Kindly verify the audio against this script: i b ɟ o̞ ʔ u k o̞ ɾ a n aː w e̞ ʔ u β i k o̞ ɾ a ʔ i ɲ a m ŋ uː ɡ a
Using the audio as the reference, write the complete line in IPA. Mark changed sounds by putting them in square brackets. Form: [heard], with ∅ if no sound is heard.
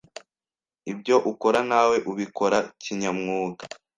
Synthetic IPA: i b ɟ o̞ ʔ u k o̞ ɾ a n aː w e̞ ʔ u β i k o̞ ɾ a [c] i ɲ a m ŋ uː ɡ a